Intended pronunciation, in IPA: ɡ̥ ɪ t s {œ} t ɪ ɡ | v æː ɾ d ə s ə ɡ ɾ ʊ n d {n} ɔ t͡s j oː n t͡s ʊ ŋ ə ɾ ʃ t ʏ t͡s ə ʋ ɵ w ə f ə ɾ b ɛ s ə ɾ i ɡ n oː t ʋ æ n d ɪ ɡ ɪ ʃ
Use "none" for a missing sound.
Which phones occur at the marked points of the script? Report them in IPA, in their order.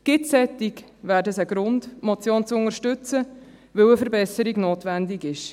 ɛ, m

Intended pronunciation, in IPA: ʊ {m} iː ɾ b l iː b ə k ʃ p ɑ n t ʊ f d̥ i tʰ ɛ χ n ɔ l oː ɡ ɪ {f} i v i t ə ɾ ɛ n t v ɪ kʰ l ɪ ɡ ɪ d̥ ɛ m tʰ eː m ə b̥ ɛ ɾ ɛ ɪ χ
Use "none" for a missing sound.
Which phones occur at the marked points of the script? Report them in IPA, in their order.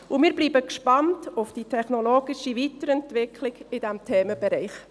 m, ʃ

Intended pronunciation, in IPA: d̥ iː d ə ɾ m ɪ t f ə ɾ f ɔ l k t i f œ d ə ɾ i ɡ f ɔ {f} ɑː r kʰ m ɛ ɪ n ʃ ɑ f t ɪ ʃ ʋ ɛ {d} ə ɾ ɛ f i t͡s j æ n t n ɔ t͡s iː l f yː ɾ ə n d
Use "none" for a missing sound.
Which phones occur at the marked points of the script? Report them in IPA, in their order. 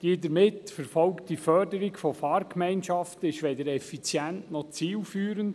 f, d

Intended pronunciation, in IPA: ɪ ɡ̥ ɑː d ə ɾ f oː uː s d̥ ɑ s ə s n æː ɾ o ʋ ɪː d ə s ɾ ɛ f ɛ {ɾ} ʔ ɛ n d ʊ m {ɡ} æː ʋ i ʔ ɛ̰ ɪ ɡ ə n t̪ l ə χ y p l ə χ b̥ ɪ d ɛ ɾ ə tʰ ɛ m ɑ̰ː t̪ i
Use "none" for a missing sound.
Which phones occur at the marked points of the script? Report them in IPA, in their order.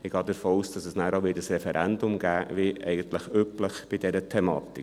ɾ, ɡ

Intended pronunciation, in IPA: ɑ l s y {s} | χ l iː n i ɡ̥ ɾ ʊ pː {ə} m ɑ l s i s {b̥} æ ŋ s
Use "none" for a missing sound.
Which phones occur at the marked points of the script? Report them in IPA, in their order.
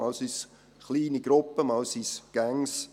s, ə, ɡ̥

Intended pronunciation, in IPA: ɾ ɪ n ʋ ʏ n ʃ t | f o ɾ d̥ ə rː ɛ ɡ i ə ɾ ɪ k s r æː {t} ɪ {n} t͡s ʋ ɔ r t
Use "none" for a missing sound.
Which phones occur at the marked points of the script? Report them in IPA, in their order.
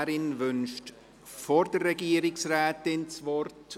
t, n

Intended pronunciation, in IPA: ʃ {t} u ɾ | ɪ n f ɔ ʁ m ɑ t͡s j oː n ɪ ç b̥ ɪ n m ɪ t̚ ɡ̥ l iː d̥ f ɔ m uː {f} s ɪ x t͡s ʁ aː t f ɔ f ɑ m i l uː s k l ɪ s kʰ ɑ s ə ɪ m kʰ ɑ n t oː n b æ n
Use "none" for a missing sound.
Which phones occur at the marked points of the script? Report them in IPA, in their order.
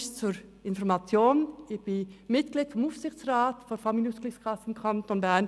t͡s, f

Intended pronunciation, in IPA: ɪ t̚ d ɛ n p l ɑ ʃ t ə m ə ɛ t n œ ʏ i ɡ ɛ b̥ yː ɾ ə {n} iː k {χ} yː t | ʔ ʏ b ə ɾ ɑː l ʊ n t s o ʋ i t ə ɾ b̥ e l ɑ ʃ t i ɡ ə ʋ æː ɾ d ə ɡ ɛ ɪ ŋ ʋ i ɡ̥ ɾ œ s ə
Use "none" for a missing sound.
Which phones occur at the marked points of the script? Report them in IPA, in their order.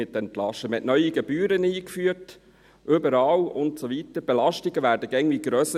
n, f

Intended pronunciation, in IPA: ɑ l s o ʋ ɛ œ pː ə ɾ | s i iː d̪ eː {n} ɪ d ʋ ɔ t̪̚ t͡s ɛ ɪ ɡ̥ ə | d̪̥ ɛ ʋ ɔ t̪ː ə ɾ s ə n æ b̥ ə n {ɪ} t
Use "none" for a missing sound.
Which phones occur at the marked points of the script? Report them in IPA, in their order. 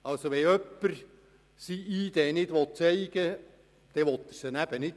n, ɪ

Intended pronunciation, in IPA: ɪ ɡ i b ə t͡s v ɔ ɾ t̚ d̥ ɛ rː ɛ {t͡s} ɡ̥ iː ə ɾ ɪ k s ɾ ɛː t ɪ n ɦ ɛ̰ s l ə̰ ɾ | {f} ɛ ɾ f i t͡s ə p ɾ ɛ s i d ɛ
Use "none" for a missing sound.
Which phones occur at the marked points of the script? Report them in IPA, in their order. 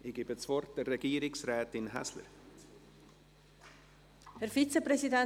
none, h

